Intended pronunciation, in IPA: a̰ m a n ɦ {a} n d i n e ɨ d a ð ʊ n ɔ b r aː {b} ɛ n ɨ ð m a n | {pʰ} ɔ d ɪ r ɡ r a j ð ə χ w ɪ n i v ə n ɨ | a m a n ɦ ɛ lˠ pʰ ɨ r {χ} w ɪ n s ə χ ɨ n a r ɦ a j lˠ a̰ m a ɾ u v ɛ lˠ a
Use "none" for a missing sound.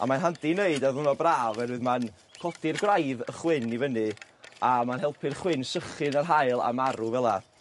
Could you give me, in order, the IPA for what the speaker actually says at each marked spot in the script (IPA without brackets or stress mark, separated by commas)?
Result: a, v, kʰ, χ